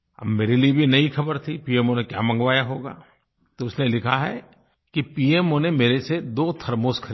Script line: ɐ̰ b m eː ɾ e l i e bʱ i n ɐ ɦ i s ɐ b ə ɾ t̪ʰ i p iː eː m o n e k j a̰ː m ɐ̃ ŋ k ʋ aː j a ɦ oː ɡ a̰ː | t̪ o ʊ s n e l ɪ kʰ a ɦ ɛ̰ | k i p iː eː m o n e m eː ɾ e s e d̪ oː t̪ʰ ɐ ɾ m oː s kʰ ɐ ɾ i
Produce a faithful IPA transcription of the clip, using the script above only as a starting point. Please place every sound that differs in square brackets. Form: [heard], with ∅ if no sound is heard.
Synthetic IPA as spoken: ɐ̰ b m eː ɾ e l i e bʱ i n ɐ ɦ i [x] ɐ b ə ɾ t̪ʰ i p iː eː m o n e k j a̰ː m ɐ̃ ŋ [ɡ] ʋ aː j a ɦ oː ɡ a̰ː | t̪ o ʊ s n e l ɪ kʰ a ɦ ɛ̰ | k i p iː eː m o n e m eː ɾ e s e d̪ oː t̪ʰ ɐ ɾ m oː s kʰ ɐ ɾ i